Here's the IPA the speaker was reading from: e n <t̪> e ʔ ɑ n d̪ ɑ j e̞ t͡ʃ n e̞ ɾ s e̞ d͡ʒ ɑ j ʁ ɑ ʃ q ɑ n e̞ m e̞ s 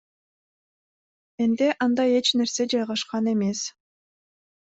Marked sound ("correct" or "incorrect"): incorrect